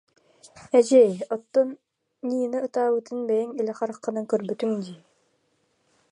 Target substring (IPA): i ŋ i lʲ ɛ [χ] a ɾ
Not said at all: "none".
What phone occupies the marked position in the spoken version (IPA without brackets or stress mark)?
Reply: χ